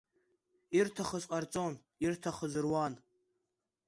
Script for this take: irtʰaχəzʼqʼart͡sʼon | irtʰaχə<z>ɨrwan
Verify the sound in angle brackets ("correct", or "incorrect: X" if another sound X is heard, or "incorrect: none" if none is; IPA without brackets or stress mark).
correct